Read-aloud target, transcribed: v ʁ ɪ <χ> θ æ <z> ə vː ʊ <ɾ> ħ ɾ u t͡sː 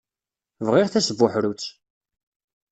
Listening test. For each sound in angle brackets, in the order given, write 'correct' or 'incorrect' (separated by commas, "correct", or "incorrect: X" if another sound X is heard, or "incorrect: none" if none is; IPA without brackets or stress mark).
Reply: incorrect: ʁ, incorrect: s, incorrect: none